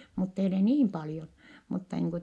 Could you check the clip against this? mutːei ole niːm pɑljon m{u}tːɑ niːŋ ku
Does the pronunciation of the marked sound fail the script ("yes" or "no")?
no